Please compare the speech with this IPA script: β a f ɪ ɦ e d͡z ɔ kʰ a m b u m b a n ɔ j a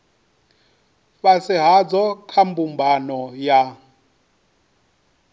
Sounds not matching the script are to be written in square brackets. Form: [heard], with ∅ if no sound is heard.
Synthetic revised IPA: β a [s] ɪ ɦ [a] d͡z ɔ kʰ a m b u m b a n ɔ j a